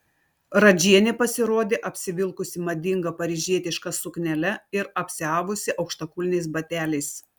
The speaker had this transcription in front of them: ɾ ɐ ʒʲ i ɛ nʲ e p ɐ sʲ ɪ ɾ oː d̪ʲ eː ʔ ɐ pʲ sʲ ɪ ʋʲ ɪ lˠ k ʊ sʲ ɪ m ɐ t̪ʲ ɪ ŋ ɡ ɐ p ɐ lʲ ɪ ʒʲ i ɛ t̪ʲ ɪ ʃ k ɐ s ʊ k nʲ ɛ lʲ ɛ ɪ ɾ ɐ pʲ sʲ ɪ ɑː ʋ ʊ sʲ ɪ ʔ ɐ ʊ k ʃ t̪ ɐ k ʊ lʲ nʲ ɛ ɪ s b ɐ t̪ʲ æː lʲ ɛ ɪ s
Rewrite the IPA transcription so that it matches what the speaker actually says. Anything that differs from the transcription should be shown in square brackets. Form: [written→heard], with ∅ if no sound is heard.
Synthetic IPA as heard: ɾ ɐ [ʒʲ→d͡ʒʲ] i ɛ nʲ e p ɐ sʲ ɪ ɾ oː d̪ʲ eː ʔ ɐ pʲ sʲ ɪ ʋʲ ɪ lˠ k ʊ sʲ ɪ m ɐ [t̪ʲ→d̪ʲ] ɪ ŋ ɡ ɐ p ɐ [lʲ→ɾʲ] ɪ ʒʲ i ɛ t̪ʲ ɪ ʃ k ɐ s ʊ k nʲ ɛ lʲ ɛ ɪ ɾ ɐ pʲ sʲ ɪ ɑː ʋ ʊ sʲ ɪ ʔ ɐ ʊ k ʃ t̪ ɐ k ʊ lʲ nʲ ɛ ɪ s b ɐ t̪ʲ æː lʲ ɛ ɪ s